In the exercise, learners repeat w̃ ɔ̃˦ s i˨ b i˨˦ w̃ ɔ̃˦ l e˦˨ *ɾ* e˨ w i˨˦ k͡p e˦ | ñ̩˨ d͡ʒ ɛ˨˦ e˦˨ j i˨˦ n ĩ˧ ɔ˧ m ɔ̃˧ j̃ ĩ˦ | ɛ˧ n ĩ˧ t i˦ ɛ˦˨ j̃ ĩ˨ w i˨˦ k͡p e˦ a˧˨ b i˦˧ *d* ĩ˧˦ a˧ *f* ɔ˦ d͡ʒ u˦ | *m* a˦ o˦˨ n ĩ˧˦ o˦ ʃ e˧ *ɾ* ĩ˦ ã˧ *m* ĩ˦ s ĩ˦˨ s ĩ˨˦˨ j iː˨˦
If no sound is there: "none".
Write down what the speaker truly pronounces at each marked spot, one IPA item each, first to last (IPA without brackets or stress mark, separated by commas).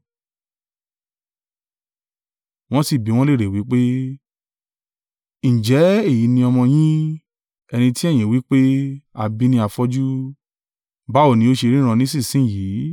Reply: ɾ, n, f, b, ɾ, n